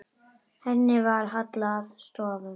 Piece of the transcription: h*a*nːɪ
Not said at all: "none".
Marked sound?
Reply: ɛ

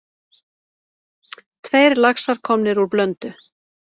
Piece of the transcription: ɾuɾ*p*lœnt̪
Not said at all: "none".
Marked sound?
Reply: p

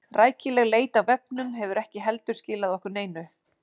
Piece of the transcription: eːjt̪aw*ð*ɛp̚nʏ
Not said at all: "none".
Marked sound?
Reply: v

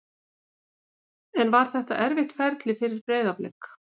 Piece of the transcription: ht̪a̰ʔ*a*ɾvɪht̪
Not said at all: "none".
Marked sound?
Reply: ɛ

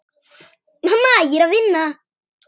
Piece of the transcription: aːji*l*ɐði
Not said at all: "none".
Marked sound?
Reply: ɾ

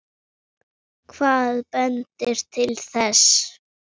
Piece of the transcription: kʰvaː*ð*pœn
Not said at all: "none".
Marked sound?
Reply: ð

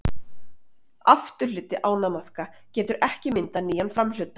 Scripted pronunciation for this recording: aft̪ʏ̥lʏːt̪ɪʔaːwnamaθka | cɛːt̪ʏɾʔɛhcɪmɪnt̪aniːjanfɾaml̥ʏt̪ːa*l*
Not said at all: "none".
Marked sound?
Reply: none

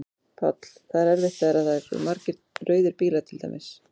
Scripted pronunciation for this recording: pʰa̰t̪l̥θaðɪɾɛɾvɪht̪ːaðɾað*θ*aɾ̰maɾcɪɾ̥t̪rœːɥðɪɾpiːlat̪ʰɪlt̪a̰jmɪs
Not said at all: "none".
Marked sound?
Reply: θ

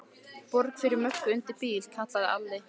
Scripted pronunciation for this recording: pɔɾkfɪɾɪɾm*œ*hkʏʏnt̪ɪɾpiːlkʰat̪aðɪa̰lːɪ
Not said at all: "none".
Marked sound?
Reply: œ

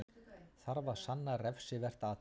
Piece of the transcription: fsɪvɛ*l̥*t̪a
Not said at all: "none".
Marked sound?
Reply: r̥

